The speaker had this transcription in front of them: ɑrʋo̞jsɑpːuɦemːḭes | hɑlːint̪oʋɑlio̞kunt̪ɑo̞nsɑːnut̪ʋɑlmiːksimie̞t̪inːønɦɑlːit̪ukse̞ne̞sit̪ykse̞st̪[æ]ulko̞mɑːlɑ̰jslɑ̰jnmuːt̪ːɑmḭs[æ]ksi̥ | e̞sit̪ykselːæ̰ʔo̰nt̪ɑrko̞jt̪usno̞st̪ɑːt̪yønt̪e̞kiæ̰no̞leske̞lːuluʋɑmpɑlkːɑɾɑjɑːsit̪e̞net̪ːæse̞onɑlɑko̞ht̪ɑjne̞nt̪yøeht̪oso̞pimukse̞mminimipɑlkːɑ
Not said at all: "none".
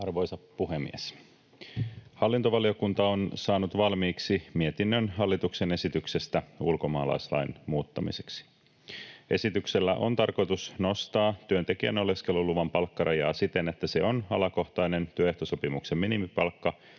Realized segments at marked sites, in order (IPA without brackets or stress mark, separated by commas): æ, e